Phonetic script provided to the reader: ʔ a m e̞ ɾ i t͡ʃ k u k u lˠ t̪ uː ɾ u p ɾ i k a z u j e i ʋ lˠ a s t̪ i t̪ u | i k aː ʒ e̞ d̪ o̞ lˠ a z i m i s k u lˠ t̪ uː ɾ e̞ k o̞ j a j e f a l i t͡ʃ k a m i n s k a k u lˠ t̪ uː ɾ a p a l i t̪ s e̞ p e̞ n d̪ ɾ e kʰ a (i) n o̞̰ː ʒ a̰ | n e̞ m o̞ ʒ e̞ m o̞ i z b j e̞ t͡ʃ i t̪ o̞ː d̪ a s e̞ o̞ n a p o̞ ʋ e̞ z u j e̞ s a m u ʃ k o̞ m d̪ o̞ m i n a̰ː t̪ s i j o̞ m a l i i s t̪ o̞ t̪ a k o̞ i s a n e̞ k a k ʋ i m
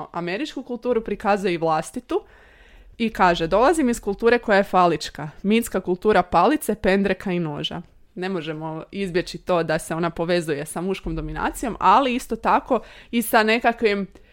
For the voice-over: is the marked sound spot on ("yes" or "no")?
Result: yes